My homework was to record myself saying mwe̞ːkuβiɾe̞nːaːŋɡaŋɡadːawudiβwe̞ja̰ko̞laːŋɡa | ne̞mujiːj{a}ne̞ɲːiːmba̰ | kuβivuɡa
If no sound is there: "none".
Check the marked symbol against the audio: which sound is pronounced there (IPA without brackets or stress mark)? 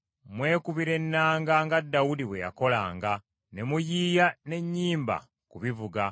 a